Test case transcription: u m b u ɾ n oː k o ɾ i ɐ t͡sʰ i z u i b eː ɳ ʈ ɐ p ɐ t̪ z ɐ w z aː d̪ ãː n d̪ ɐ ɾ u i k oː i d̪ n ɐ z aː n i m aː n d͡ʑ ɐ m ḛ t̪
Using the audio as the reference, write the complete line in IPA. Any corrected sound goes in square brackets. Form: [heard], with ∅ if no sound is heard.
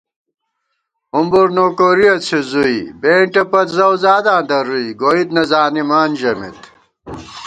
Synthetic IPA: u m b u ɾ n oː k o ɾ i ɐ t͡sʰ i z u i b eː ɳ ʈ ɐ p ɐ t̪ z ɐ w z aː d̪ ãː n d̪ ɐ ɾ u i [ɡ] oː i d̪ n ɐ z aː n i m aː n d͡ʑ ɐ m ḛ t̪